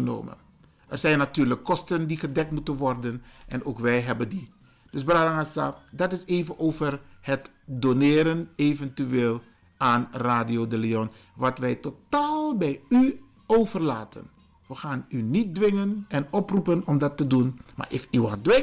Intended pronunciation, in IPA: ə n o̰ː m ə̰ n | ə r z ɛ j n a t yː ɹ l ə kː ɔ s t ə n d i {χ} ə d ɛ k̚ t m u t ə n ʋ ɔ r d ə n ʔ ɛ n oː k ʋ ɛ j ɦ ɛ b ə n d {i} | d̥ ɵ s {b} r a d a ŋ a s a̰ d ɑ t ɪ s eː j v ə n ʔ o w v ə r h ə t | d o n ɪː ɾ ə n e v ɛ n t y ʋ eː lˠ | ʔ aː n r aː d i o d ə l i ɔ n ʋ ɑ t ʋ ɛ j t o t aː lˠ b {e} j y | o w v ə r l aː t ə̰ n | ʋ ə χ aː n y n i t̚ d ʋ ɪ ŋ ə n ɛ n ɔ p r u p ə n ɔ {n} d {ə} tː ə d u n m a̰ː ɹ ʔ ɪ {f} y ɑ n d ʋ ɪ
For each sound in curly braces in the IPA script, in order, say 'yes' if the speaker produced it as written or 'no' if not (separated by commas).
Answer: yes, yes, yes, no, no, no, yes